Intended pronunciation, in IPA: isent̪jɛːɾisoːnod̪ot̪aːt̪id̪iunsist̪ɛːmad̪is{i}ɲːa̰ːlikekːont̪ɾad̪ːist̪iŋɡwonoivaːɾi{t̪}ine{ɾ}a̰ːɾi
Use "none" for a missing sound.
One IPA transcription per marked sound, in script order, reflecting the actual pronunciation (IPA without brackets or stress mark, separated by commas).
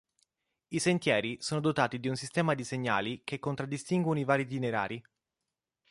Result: e, t̪, ɾ